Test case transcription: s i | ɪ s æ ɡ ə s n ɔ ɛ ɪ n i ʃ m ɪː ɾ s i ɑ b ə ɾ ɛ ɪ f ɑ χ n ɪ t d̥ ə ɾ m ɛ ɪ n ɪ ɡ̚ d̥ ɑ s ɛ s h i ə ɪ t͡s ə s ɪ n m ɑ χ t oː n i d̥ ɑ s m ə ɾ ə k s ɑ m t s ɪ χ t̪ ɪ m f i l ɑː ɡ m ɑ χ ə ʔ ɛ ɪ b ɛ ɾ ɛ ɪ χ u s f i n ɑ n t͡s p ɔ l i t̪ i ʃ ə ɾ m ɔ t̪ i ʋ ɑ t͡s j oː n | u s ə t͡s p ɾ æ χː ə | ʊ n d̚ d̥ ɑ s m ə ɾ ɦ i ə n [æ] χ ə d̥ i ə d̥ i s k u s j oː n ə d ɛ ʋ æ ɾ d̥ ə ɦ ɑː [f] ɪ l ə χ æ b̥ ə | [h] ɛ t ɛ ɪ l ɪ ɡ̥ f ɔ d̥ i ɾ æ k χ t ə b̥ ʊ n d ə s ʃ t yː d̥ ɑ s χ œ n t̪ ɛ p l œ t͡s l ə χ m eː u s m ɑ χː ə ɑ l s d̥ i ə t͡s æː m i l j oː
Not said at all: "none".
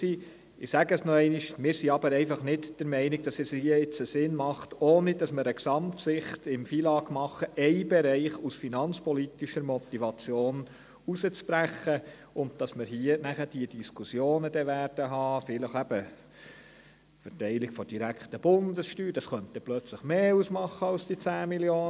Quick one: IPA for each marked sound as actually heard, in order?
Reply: æ, f, f

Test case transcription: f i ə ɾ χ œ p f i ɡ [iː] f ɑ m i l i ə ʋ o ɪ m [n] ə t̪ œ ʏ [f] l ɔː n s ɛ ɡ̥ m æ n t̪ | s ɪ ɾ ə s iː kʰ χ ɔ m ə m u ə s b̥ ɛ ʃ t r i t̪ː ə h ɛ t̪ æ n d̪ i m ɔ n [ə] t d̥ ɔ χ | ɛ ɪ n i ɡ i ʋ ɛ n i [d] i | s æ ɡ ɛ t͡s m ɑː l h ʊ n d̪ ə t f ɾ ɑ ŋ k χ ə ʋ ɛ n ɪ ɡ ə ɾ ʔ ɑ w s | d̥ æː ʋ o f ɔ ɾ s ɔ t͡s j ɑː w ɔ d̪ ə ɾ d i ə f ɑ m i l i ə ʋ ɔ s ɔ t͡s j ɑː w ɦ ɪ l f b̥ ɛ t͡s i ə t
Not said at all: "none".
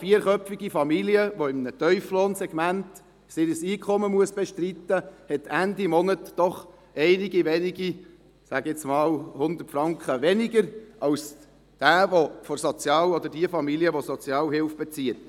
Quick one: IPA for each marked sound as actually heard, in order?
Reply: i, n, f, ə, ɡ

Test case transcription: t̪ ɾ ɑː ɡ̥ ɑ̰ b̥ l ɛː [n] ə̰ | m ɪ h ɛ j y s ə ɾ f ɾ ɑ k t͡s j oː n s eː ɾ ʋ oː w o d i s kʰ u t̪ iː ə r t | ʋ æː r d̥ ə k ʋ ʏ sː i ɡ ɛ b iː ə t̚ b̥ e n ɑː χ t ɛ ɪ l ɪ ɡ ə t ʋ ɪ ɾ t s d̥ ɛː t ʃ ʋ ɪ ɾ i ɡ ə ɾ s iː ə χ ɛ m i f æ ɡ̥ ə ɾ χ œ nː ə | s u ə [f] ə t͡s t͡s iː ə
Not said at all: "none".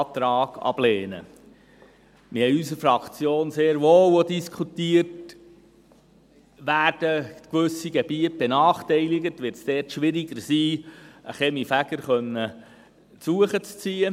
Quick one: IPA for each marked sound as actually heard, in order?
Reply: n, χ

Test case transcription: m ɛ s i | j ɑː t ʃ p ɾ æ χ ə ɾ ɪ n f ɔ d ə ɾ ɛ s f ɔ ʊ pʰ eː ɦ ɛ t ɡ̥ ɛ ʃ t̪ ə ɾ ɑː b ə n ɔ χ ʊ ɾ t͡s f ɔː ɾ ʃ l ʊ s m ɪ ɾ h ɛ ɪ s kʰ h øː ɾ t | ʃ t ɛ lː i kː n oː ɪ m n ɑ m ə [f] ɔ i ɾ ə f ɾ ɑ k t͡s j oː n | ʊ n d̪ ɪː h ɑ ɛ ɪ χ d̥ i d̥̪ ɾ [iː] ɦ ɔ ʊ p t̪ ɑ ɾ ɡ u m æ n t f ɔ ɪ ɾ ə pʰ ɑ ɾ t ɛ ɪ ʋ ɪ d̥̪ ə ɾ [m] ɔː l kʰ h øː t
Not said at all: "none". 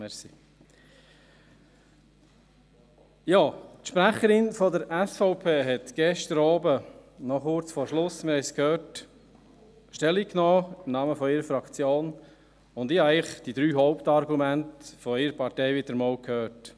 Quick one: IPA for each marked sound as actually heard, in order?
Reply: f, yː, m

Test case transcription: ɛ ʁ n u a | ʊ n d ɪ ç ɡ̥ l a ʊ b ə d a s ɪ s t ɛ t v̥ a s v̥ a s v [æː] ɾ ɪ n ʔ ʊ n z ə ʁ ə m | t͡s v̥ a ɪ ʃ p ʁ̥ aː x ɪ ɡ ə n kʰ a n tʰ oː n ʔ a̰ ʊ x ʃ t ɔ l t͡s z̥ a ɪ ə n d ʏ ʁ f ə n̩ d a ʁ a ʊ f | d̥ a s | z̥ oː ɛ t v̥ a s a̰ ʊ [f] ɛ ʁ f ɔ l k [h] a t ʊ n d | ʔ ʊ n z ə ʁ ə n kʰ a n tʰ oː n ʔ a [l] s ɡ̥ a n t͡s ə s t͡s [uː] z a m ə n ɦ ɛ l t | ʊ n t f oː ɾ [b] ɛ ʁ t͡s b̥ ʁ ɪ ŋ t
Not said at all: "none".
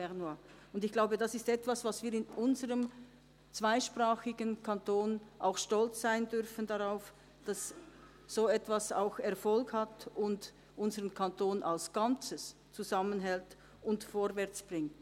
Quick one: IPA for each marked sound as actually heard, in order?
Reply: iː, x, h, l, u, v

